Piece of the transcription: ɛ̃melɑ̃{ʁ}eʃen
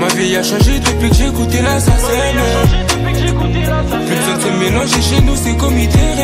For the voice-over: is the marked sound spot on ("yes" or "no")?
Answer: no